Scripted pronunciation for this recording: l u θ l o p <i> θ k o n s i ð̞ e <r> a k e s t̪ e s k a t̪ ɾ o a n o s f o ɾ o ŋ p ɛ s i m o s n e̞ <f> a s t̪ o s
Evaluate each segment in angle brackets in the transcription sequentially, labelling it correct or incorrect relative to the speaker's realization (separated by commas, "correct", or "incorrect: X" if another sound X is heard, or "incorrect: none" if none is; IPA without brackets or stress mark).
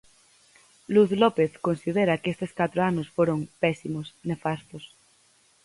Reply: incorrect: e, incorrect: ɾ, correct